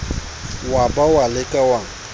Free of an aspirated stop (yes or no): yes